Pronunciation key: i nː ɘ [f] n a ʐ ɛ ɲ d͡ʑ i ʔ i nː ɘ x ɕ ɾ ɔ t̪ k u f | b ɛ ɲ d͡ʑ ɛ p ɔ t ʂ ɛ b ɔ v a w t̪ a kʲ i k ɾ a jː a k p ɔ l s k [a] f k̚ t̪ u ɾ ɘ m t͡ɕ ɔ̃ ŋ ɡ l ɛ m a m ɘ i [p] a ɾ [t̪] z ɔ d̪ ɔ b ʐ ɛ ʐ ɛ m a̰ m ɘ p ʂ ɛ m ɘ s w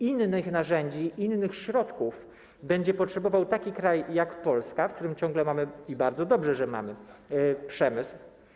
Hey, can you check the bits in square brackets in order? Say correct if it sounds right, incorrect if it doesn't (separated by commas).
incorrect, correct, incorrect, incorrect